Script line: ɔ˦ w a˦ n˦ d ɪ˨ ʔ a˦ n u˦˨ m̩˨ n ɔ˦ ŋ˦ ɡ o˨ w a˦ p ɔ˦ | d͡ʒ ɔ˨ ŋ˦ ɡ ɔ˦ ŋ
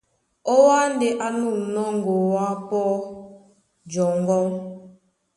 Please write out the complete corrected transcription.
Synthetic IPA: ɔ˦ w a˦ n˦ d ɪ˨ ʔ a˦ n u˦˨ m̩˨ n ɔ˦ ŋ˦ ɡ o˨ w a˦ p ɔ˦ | d͡ʒ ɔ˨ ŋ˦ ɡ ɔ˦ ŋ